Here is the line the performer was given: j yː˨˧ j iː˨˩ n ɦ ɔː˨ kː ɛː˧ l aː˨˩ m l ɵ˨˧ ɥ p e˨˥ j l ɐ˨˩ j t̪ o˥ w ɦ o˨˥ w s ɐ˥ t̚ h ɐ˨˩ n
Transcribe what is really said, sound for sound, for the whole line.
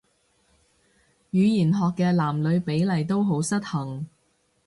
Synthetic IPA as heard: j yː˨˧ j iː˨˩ n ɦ ɔː˨ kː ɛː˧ l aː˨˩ m l ɵ˨˧ ɥ p e˨˥ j l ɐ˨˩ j t̪ o˥ w ɦ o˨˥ w s ɐ˥ t̚ h ɐ˨˩ ŋ